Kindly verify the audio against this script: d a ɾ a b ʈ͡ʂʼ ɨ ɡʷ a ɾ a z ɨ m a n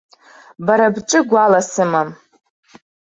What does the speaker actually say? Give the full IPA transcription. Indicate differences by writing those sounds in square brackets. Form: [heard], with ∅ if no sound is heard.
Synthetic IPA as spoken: [b] a ɾ a b ʈ͡ʂʼ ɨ ɡʷ a [l] a [s] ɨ m a [m]